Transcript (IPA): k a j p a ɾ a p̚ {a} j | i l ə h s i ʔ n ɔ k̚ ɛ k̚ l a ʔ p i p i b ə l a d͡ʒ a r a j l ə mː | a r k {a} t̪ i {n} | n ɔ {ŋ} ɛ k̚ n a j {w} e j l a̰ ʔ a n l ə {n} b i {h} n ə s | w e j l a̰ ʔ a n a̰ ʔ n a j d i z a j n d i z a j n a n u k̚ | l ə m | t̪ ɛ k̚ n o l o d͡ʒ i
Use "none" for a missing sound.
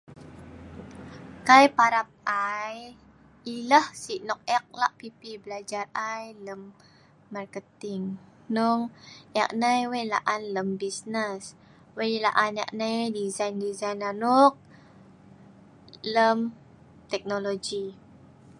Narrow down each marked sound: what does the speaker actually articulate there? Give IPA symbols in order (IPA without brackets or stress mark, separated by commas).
a, ə, ŋ, ŋ, w, m, s